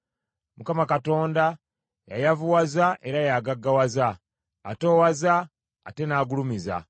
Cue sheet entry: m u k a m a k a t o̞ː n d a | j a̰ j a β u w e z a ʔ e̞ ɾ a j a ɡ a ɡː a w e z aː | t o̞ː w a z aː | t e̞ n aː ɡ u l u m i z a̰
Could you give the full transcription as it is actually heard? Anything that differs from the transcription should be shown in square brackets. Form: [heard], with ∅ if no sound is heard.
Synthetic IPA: m u k a m a k a t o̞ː n d a | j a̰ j a [v] u w [a] z a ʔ e̞ ɾ a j a ɡ a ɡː a w [a] z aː | t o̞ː w a z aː | t e̞ n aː ɡ u l u m i z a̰